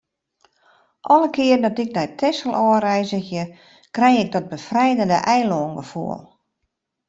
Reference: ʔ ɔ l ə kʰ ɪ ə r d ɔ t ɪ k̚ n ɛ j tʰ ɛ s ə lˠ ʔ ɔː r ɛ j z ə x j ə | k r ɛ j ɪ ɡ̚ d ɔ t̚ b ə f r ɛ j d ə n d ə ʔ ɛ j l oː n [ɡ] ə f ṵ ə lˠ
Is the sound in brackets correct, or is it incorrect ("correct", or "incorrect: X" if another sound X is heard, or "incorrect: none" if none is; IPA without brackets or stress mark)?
correct